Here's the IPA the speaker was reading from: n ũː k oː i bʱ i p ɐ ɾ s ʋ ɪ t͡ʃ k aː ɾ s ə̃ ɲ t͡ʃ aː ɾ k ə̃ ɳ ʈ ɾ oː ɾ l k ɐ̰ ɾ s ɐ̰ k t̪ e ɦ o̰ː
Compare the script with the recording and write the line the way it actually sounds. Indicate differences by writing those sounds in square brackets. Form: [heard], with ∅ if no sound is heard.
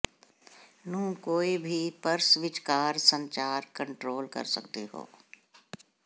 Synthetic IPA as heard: n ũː k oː i bʱ i p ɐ ɾ s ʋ ɪ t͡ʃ k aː ɾ s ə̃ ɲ t͡ʃ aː ɾ k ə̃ ɳ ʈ ɾ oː [∅] l k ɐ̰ ɾ s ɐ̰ k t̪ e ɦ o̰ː